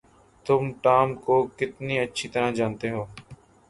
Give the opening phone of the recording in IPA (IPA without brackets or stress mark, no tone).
t̪